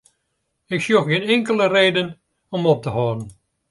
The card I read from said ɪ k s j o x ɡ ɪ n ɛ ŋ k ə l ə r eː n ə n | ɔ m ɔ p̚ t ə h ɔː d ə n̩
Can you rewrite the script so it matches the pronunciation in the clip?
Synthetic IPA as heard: ɪ k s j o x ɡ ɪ n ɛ ŋ k ə l ə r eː d ə n | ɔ m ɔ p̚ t ə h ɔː d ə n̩